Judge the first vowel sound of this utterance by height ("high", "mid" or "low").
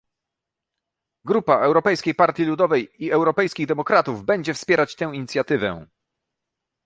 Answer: high